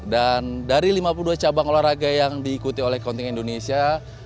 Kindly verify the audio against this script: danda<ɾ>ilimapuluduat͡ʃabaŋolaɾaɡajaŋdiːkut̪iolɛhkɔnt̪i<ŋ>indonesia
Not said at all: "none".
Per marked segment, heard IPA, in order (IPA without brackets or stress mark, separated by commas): ɾ, ŋ